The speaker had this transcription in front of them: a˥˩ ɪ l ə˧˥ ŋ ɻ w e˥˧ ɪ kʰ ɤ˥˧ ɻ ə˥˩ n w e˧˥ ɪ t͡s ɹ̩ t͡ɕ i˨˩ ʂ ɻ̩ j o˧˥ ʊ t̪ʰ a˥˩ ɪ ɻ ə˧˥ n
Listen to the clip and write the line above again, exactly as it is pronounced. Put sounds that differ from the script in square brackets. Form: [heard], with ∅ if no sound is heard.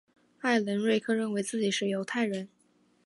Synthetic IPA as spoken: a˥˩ ɪ l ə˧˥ [n] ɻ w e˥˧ ɪ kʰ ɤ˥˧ ɻ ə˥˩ n w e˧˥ ɪ t͡s ɹ̩ t͡ɕ i˨˩ ʂ ɻ̩ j o˧˥ ʊ t̪ʰ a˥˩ ɪ ɻ ə˧˥ n